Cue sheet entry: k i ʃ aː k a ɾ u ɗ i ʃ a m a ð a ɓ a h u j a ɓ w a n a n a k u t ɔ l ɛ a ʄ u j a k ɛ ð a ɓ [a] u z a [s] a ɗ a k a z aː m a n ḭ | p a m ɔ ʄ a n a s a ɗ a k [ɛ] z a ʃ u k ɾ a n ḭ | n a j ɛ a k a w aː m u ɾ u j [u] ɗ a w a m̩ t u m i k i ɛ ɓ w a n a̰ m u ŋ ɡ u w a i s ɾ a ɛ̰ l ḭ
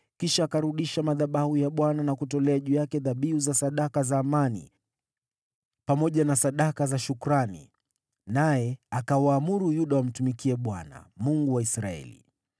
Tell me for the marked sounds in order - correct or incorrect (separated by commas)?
incorrect, correct, incorrect, correct